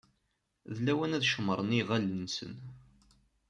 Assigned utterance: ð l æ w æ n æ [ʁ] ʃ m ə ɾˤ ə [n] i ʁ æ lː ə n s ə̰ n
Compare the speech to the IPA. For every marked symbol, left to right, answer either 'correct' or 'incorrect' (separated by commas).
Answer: incorrect, correct